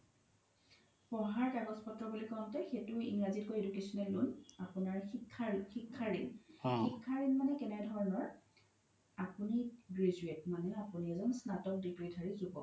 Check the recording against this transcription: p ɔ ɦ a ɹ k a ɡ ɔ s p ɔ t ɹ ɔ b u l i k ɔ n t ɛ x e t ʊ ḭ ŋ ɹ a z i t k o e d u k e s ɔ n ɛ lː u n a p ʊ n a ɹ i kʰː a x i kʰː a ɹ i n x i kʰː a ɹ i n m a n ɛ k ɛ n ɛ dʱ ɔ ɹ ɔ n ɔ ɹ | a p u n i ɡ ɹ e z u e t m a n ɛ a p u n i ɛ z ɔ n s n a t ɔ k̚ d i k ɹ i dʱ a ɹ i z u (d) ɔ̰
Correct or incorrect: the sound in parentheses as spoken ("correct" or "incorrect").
incorrect